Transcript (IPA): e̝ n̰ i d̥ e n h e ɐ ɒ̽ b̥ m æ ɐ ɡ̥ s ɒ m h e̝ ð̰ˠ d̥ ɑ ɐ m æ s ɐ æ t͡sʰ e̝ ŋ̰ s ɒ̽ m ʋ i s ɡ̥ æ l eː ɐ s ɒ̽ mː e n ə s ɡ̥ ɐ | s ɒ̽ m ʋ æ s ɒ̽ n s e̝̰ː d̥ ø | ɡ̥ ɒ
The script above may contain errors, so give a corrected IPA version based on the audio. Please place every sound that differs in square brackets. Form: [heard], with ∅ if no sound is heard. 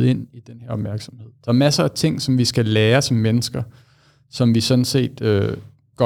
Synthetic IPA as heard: e̝ n̰ i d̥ e n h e ɐ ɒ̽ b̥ m æ ɐ ɡ̥ s ɒ m h e̝ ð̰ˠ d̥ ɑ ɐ m æ s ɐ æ t͡sʰ e̝ ŋ̰ s ɒ̽ m ʋ i s ɡ̥ æ l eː ɐ s ɒ̽ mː e n ə s ɡ̥ ɐ | s ɒ̽ m ʋ [i] s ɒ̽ n s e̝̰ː d̥ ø | ɡ̥ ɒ